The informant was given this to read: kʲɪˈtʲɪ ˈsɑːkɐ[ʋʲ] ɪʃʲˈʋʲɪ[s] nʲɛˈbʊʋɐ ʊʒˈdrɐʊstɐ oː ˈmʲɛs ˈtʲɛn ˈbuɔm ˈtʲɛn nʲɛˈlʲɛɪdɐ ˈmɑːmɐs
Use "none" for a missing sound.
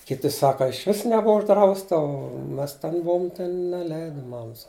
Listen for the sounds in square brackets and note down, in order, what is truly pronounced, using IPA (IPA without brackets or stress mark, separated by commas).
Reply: none, s